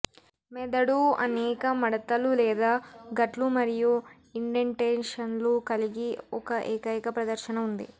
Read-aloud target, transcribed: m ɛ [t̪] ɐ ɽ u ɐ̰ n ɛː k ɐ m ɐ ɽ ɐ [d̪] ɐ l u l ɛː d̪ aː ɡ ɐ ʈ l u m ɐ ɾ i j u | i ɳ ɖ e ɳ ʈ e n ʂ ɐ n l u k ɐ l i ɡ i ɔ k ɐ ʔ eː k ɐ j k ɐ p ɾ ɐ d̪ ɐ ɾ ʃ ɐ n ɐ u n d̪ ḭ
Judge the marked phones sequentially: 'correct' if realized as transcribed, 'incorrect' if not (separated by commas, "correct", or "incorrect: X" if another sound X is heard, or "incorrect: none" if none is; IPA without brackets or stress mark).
incorrect: d̪, incorrect: t̪